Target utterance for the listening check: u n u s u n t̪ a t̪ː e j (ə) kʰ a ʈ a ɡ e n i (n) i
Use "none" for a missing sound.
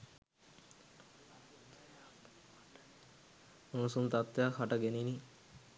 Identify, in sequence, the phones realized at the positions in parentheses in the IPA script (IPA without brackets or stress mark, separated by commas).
a, n